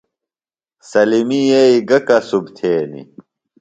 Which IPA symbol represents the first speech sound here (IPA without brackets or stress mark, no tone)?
s